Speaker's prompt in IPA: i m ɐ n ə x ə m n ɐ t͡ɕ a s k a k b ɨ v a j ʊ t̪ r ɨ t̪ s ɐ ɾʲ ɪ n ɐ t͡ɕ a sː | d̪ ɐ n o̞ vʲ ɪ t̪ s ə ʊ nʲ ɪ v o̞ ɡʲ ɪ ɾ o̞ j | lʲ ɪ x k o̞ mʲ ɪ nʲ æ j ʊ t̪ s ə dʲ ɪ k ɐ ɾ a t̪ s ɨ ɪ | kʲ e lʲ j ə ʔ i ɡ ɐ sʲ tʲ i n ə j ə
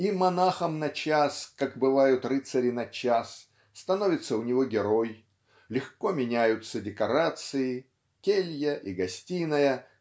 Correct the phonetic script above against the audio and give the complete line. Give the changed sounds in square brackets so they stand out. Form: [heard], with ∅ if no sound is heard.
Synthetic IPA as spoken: i m ɐ n [a] x ə m n ɐ t͡ɕ a s k a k b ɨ v a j ʊ t̪ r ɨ t̪ s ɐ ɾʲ ɪ n ɐ t͡ɕ a sː | [t̪] ɐ n o̞ vʲ ɪ t̪ s ə ʊ nʲ ɪ v o̞ ɡʲ ɪ ɾ o̞ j | lʲ ɪ x k o̞ mʲ ɪ nʲ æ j ʊ t̪ s ə dʲ ɪ k ɐ ɾ a t̪ s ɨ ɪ | kʲ e lʲ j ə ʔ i ɡ ɐ sʲ tʲ i n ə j ə

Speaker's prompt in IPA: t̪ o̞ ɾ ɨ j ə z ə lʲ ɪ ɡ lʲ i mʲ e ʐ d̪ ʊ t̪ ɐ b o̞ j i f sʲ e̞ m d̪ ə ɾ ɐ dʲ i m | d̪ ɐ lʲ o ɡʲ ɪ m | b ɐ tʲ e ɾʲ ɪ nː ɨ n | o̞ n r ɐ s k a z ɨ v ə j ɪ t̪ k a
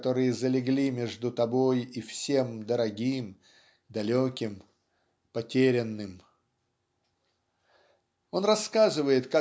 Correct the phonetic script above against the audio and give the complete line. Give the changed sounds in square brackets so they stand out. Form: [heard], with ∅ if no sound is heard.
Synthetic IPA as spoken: t̪ o̞ ɾ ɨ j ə z ə lʲ ɪ ɡ lʲ i mʲ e ʐ d̪ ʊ t̪ ɐ b o̞ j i f sʲ e̞ m d̪ ə ɾ ɐ [ɡʲ] i m | d̪ ɐ lʲ o [kʲ] ɪ m | [p] ɐ tʲ e ɾʲ ɪ nː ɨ [m] | o̞ n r ɐ s k a z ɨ v ə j ɪ t̪ k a

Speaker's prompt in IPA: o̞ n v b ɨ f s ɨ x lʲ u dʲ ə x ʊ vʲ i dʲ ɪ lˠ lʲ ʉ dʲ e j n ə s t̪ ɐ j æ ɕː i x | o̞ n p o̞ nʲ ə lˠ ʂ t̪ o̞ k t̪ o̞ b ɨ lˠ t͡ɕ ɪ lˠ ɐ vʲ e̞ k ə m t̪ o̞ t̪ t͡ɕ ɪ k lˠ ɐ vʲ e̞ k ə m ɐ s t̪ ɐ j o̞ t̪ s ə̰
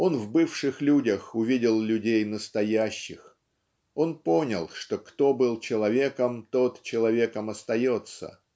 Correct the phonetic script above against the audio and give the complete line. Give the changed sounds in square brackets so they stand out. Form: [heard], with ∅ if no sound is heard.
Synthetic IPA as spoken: o̞ n v b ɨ f [ʂ] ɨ x lʲ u dʲ ə x ʊ vʲ i dʲ ɪ lˠ lʲ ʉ dʲ e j n ə s t̪ ɐ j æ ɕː [ɪ] x | o̞ n p o̞ nʲ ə lˠ ʂ t̪ o̞ k t̪ o̞ b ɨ lˠ t͡ɕ ɪ lˠ ɐ vʲ e̞ k ə m t̪ o̞ t̪ t͡ɕ ɪ [∅] lˠ ɐ vʲ e̞ k ə m ɐ s t̪ ɐ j o̞ t̪ s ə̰

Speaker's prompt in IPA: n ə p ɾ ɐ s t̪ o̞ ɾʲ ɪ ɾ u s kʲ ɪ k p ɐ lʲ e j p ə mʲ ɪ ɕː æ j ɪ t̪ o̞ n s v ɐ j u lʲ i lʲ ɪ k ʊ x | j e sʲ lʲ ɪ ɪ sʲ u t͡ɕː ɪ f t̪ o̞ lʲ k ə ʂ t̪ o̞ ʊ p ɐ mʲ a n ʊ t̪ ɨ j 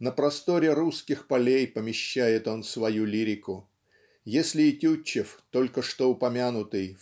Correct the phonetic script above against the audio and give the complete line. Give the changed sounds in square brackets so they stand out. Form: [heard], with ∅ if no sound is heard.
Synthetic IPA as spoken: n ə p ɾ ɐ s t̪ o̞ ɾʲ ɪ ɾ u s kʲ ɪ [x] p ɐ lʲ e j p ə mʲ ɪ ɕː æ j ɪ t̪ o̞ n s v ɐ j u lʲ i [ɾʲ] ɪ k ʊ [∅] | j e sʲ lʲ ɪ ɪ [tʲ] u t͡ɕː ɪ f t̪ o̞ lʲ k ə ʂ t̪ o̞ ʊ p ɐ mʲ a n ʊ t̪ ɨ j

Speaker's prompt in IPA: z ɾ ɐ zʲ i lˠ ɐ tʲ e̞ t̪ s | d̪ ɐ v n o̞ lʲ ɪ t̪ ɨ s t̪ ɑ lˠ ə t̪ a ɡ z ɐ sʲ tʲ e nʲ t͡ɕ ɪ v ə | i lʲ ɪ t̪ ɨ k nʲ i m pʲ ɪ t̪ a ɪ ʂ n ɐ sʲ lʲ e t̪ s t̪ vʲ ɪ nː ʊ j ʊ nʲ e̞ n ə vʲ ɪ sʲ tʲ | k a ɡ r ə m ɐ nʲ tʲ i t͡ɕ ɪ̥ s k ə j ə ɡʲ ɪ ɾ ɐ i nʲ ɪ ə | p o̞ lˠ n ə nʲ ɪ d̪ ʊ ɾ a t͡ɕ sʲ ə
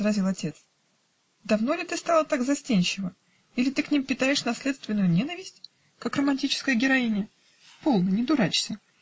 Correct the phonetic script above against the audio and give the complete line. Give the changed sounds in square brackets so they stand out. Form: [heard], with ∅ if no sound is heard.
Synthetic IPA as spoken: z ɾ ɐ zʲ i lˠ ɐ tʲ e̞ t̪ s | d̪ ɐ v n o̞ lʲ ɪ t̪ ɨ s t̪ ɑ lˠ ə t̪ a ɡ z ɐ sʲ tʲ e nʲ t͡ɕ ɪ v ə | i lʲ ɪ t̪ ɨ k nʲ i m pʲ ɪ t̪ a ɪ ʂ n ɐ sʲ lʲ e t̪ s t̪ vʲ ɪ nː ʊ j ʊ nʲ e̞ n ə vʲ ɪ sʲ tʲ | k a [k] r ə m ɐ nʲ tʲ i t͡ɕ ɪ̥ s k ə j ə ɡʲ ɪ ɾ ɐ i nʲ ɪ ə | p o̞ lˠ n ə nʲ ɪ d̪ ʊ ɾ a t͡ɕ sʲ ə

